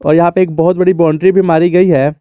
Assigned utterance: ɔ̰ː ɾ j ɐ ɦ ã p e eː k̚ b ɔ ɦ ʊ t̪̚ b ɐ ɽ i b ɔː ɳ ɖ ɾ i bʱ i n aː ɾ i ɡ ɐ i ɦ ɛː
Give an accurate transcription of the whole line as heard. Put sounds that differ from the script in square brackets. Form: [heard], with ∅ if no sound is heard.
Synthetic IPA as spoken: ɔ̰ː ɾ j ɐ ɦ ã p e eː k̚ b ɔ ɦ ʊ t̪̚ b ɐ ɽ i b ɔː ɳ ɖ ɾ i bʱ i [m] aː ɾ i ɡ ɐ i ɦ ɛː